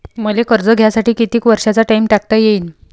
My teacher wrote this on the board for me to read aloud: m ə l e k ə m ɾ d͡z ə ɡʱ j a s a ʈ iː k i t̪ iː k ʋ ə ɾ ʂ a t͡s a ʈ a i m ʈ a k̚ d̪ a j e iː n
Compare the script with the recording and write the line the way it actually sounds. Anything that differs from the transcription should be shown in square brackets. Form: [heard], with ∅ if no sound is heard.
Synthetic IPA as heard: m ə l e k ə [∅] ɾ d͡z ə ɡʱ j a s a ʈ iː k i t̪ iː k ʋ ə ɾ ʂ a t͡s a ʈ a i m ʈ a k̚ [t̪] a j e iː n